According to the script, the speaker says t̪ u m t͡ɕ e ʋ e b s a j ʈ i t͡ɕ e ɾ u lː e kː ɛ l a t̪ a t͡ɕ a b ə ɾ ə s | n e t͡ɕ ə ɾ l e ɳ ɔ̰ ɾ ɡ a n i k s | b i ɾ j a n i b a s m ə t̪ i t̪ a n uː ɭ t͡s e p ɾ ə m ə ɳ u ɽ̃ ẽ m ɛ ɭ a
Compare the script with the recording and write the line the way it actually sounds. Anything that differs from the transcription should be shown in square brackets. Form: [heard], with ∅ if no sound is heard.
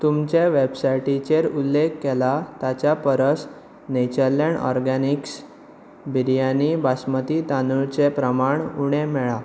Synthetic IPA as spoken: t̪ u m t͡ɕ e ʋ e b s a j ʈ i t͡ɕ e ɾ u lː e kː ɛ l a t̪ a t͡ɕ a [p] ə ɾ ə s | n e t͡ɕ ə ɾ l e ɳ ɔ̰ ɾ ɡ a n i k s | b i ɾ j a n i b a s m ə t̪ i t̪ a n [u] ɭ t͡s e p ɾ ə m [a] ɳ u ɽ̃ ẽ m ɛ ɭ a